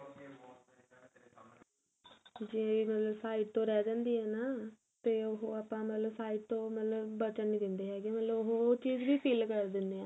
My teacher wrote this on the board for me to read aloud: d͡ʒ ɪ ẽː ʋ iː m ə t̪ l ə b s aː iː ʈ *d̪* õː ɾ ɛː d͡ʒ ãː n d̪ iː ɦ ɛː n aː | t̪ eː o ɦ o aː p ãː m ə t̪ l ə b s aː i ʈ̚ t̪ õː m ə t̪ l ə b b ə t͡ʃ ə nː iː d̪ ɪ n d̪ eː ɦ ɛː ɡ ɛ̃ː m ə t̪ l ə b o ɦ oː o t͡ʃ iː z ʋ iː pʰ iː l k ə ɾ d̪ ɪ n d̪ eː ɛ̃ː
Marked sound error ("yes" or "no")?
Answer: yes